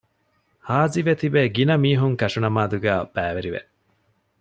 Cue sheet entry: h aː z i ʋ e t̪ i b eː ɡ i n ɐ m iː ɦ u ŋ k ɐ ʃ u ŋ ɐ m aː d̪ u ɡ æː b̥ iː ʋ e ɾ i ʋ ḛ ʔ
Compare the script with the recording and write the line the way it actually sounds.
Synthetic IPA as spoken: h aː z i ʋ e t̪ i b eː ɡ i n ɐ m iː ɦ u ŋ k ɐ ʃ u n ɐ m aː d̪ u ɡ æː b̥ æː ʋ e ɾ i ʋ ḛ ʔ